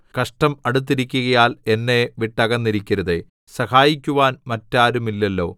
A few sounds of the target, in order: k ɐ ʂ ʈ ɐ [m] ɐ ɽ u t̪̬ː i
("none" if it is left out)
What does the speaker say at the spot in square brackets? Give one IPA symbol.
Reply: m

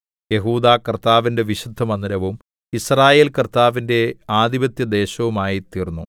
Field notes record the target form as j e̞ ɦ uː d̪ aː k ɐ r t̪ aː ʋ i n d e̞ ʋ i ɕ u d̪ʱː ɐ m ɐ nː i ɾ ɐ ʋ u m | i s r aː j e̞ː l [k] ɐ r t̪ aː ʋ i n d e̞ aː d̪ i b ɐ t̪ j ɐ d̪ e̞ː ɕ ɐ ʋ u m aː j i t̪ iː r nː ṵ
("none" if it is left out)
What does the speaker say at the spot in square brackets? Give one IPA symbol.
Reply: k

